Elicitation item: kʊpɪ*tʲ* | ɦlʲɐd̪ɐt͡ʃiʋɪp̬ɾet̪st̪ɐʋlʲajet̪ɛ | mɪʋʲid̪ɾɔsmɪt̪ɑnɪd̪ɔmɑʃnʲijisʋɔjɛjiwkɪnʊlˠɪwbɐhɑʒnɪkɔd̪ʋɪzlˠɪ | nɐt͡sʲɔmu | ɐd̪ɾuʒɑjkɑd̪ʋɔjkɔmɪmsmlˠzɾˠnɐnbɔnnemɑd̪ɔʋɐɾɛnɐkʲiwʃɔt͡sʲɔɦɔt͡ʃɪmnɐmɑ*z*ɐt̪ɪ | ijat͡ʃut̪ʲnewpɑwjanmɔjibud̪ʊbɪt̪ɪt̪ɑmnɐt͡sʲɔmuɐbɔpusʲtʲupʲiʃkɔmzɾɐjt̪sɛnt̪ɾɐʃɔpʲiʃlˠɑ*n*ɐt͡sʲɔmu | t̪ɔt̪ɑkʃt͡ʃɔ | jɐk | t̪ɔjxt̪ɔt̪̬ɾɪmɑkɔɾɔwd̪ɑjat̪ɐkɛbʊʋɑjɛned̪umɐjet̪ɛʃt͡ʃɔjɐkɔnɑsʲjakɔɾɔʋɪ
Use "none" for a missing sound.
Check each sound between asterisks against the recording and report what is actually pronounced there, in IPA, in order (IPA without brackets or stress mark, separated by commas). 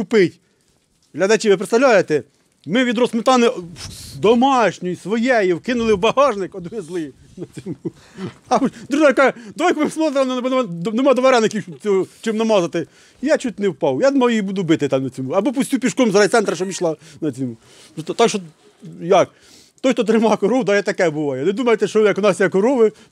tʲ, z, n